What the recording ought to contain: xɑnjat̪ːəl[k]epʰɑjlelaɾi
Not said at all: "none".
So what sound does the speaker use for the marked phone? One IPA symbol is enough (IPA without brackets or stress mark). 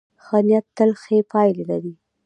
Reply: x